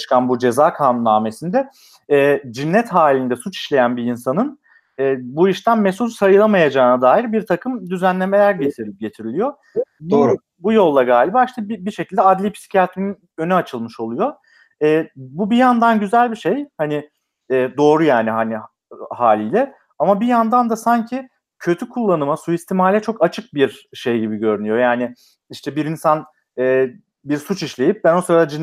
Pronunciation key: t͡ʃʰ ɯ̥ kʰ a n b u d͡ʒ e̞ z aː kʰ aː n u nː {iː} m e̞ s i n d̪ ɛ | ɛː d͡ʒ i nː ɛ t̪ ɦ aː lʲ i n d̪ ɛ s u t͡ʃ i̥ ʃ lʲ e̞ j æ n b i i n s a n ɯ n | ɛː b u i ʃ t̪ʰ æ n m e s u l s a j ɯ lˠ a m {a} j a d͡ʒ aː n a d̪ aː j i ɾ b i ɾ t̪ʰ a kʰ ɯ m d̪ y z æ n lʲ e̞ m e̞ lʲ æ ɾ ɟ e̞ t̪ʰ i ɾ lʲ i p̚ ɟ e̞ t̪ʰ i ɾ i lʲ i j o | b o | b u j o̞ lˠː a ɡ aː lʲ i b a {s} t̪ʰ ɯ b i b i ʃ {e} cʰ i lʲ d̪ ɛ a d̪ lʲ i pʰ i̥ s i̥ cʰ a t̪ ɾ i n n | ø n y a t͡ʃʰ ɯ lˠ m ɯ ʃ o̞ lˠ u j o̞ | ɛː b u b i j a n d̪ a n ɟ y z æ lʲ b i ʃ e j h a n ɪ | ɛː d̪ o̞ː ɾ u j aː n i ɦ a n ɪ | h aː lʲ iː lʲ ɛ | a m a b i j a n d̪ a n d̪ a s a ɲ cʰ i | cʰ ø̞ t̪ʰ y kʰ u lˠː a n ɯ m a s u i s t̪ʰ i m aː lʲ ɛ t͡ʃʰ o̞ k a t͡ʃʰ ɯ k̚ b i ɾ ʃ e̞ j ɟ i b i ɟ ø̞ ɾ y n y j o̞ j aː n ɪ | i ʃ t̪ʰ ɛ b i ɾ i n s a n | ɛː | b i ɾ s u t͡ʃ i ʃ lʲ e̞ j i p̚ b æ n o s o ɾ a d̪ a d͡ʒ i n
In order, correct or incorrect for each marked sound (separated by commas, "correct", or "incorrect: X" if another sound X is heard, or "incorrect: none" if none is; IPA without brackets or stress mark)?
incorrect: aː, correct, incorrect: ʃ, correct